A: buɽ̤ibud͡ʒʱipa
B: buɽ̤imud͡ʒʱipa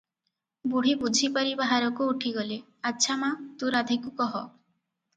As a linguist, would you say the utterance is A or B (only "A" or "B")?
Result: A